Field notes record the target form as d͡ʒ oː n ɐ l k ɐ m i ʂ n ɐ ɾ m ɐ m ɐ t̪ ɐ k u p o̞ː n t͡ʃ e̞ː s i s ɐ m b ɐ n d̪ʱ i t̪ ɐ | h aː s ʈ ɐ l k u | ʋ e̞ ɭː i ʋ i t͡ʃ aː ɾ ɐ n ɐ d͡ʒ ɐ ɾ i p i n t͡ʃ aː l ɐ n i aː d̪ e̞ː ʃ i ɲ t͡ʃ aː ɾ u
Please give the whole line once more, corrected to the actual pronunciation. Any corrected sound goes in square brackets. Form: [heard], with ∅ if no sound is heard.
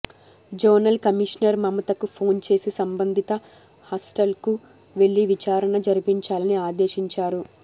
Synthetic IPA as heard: d͡ʒ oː n ɐ l k ɐ m i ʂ n ɐ ɾ m ɐ m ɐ t̪ ɐ k u [pʰ] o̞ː n t͡ʃ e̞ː s i s ɐ m b ɐ n d̪ʱ i t̪ ɐ | h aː s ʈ ɐ l k u | ʋ e̞ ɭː i ʋ i t͡ʃ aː ɾ ɐ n ɐ d͡ʒ ɐ ɾ i p i [ɲ] t͡ʃ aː l ɐ n i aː d̪ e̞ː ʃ i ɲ t͡ʃ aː ɾ u